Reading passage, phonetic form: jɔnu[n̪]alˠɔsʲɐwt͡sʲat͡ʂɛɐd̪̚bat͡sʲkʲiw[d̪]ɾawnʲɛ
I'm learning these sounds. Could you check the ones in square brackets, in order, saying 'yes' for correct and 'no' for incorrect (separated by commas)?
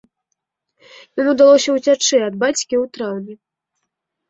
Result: no, no